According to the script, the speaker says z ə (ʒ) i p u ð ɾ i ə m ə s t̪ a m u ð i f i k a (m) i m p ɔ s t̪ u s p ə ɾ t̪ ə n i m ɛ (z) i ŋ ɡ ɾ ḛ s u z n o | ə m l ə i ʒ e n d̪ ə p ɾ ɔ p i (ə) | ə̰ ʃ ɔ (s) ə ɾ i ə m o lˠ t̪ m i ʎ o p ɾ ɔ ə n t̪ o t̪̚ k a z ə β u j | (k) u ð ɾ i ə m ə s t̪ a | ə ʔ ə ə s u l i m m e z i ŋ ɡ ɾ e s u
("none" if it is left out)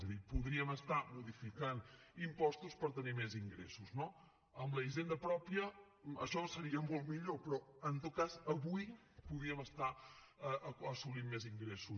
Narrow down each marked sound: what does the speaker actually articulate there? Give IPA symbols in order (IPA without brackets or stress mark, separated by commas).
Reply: ð, n, z, ə, s, p